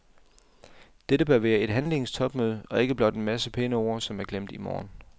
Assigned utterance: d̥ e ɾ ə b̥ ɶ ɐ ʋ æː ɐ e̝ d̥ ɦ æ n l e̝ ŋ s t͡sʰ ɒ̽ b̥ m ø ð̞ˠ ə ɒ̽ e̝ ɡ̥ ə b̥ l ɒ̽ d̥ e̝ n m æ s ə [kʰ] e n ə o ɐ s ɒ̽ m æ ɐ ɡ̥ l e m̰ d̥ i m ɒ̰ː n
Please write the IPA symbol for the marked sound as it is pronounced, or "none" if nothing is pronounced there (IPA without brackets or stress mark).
pʰ